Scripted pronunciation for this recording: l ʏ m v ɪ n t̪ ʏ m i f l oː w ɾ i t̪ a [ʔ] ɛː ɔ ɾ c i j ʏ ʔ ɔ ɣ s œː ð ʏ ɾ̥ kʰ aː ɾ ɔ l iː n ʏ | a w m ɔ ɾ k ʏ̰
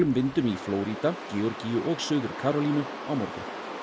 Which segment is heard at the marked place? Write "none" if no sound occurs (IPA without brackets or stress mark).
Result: c